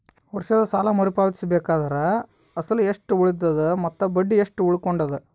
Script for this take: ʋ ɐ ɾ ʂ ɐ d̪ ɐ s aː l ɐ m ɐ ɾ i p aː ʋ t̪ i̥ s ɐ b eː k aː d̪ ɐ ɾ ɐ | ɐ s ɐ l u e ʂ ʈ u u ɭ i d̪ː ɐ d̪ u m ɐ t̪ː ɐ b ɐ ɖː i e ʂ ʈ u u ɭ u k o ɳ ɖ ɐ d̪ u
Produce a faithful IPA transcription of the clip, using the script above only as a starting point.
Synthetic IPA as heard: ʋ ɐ ɾ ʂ ɐ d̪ ɐ s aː l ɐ m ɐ ɾ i p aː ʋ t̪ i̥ s ɐ b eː k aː d̪ ɐ ɾ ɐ | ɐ s ɐ l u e ʂ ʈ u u ɭ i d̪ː ɐ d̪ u m ɐ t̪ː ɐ b ɐ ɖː i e ʂ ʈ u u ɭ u k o ɳ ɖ ɐ d̪ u